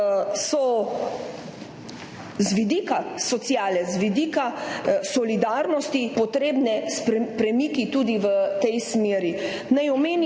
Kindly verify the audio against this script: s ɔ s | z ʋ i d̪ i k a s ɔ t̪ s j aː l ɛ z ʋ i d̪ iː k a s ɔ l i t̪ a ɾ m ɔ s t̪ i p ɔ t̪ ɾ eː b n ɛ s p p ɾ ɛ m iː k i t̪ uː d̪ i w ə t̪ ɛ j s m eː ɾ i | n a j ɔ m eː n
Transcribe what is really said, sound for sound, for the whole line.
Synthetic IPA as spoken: s ɔ | z ʋ i d̪ i k a s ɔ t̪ s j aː l ɛ z ʋ i d̪ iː k a s ɔ l i d̪ a ɾ n ɔ s t̪ i p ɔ t̪ ɾ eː b n ɛ s p p ɾ ɛ m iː k i t̪ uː d̪ i ʋ ə t̪ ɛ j s m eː ɾ i | n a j ɔ m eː n